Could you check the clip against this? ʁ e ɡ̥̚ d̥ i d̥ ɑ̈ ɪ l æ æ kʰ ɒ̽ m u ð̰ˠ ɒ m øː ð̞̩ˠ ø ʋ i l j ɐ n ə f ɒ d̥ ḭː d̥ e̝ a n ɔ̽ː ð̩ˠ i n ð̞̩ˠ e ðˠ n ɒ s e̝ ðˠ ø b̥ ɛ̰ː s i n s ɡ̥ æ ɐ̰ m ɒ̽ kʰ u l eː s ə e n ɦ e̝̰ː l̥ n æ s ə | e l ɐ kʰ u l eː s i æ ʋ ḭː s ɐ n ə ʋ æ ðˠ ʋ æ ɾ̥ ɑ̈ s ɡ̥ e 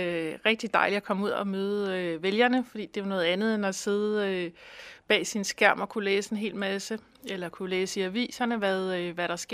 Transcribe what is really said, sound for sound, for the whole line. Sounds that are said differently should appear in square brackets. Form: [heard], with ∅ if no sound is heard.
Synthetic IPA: ʁ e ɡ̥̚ d̥ i d̥ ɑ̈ ɪ l [i] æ kʰ ɒ̽ m u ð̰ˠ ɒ m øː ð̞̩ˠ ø ʋ [e] l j ɐ n ə f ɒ d̥ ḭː d̥ e̝ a n ɔ̽ː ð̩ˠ [æ] n ð̞̩ˠ e [∅] n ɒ s e̝ ðˠ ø b̥ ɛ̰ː s i n s ɡ̥ æ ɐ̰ m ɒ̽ kʰ u l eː s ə e n ɦ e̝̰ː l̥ [m] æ s ə | e l ɐ kʰ u l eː s i æ ʋ ḭː s ɐ n ə ʋ æ ðˠ ʋ æ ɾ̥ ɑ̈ s ɡ̥ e